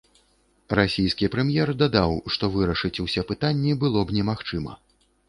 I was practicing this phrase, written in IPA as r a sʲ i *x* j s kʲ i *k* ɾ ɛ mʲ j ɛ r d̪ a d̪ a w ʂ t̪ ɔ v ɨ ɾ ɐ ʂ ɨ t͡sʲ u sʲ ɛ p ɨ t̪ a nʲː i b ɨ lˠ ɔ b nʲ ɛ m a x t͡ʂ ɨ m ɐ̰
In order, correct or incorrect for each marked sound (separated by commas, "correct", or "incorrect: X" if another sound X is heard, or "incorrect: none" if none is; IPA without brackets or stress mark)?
incorrect: none, incorrect: p